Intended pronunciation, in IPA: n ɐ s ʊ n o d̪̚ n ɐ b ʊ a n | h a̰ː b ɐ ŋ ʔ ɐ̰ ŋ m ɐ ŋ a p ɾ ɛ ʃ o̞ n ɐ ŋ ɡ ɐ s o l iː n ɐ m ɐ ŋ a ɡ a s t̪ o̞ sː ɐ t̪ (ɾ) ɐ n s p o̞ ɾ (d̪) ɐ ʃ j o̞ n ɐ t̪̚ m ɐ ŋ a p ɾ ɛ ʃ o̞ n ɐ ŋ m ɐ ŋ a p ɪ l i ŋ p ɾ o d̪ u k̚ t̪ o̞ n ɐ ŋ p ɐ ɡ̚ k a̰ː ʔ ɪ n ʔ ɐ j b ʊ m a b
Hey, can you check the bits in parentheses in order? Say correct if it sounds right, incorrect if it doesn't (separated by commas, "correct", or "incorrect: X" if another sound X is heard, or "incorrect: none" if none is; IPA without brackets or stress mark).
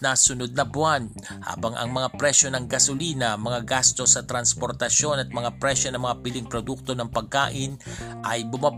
correct, incorrect: t̪